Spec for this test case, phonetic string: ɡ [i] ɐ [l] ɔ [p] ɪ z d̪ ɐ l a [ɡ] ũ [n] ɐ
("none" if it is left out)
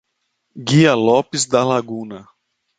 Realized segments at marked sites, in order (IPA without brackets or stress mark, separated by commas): i, l, p, ɡ, n